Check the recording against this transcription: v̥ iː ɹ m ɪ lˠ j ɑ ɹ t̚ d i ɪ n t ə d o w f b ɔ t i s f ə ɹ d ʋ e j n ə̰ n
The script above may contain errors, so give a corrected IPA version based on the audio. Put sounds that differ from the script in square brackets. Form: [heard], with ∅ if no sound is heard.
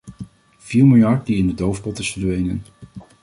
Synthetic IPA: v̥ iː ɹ m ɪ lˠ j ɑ ɹ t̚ d i ɪ n [d] ə d o w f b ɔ t [ɪ] s f ə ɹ d ʋ e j n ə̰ n